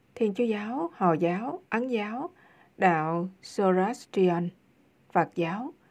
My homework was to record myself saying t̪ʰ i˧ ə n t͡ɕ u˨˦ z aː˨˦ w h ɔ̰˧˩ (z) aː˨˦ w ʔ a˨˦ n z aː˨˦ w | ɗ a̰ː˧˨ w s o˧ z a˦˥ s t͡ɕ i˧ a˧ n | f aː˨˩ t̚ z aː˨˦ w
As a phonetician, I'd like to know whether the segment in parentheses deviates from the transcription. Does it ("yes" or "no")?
no